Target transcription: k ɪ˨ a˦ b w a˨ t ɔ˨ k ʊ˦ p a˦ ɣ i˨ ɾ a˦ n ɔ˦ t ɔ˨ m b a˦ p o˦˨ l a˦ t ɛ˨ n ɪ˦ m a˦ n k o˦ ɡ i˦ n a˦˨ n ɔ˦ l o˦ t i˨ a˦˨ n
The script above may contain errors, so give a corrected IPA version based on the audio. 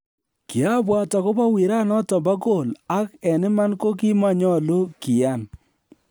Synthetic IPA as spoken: k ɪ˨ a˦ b w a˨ t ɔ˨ k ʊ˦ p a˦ w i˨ ɾ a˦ n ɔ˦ t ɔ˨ m b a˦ k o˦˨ l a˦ k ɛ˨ n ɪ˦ m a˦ n k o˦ k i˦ m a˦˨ ɲ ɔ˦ l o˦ k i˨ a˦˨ n